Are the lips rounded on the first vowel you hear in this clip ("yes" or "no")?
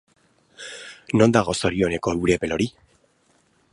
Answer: yes